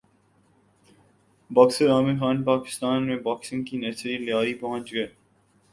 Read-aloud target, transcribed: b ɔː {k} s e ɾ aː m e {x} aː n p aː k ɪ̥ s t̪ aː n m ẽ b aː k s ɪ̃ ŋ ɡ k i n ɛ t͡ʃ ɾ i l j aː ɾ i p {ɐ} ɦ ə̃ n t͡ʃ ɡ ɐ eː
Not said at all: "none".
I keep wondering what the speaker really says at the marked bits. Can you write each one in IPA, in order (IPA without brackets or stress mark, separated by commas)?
k, x, ɐ